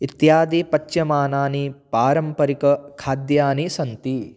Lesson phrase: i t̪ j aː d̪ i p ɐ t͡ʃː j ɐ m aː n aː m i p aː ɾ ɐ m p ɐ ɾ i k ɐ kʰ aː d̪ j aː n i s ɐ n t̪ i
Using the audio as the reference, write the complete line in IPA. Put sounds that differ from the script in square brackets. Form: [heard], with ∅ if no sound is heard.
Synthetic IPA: i t̪ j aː d̪ i p ɐ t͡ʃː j ɐ m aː n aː [n] i p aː ɾ ɐ m p ɐ ɾ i k ɐ kʰ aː d̪ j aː n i s ɐ n t̪ i